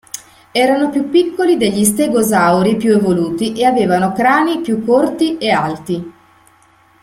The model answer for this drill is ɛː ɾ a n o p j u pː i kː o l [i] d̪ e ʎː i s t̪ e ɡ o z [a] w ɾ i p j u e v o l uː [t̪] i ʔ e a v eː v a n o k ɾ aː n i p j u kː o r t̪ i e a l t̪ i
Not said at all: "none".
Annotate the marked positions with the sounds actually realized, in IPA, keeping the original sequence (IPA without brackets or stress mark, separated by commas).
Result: i, a, t̪